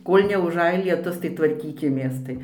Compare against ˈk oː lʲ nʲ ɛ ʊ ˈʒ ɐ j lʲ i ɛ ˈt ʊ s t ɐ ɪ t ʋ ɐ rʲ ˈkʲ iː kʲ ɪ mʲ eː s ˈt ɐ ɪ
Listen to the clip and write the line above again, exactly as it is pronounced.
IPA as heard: ˈk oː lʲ nʲ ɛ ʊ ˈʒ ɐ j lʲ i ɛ ˈt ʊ s t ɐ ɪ t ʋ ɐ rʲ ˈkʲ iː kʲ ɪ mʲ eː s ˈt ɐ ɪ